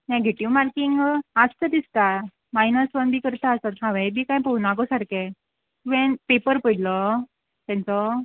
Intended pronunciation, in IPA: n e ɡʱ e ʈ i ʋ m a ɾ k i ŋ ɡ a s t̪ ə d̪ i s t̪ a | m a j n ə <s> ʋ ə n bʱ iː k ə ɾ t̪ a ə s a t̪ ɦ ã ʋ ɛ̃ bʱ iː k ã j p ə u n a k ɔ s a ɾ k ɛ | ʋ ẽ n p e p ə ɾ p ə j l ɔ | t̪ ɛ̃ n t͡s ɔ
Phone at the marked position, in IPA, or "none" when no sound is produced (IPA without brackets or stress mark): s